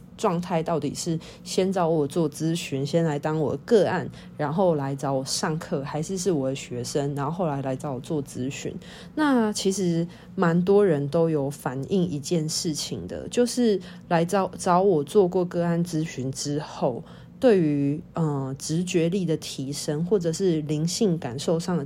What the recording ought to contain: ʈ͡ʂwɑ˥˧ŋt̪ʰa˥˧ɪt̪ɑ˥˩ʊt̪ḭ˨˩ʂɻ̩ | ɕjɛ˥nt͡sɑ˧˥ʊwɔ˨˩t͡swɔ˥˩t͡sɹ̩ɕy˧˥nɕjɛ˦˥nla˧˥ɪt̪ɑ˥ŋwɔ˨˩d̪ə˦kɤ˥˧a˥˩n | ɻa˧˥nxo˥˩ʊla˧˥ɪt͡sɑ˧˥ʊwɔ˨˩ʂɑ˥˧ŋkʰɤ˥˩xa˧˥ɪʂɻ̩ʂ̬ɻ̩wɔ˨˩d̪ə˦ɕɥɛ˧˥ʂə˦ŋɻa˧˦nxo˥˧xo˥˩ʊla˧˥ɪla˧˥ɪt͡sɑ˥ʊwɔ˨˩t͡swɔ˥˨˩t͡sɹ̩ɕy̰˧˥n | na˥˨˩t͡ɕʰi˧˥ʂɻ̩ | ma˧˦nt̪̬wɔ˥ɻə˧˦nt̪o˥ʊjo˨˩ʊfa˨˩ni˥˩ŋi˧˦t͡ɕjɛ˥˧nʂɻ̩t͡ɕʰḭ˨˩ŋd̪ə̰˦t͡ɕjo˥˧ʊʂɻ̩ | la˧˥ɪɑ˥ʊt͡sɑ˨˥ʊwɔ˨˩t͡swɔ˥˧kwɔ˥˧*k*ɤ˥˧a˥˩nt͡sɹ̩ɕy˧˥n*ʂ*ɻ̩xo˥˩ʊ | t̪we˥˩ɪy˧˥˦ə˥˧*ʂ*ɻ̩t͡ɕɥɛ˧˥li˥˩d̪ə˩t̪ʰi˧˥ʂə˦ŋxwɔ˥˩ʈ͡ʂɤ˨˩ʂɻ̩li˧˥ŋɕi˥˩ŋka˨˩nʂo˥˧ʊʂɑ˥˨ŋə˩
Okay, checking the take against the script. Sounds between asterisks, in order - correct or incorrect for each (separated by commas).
correct, incorrect, incorrect